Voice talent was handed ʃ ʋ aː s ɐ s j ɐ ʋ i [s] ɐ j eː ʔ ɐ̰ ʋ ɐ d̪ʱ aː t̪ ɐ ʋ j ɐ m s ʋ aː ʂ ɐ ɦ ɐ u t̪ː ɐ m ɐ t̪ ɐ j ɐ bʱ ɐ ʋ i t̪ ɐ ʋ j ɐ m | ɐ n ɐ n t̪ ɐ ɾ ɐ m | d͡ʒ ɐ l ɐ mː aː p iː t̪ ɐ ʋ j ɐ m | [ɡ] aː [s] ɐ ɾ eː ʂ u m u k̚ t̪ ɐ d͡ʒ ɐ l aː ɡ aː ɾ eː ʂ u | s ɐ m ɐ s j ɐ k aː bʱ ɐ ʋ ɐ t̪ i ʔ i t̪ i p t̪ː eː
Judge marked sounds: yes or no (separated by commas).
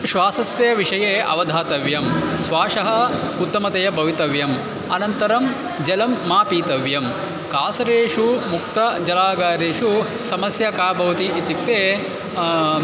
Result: no, no, yes